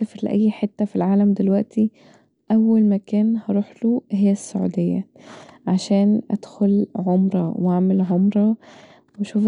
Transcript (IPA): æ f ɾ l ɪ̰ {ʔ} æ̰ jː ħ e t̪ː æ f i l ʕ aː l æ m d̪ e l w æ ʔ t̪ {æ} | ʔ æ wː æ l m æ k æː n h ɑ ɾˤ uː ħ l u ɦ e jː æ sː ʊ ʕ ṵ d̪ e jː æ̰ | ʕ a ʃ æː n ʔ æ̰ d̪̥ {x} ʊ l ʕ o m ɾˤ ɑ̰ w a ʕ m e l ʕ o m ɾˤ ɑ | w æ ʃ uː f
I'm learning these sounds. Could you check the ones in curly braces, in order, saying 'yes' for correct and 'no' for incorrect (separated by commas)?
yes, no, yes